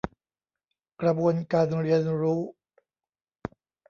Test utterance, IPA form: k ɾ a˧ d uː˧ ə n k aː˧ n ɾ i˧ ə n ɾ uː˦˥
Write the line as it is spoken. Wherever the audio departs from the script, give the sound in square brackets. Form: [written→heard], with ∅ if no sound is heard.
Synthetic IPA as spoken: k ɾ a˧ [d→b] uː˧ ə n k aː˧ n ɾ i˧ ə n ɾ uː˦˥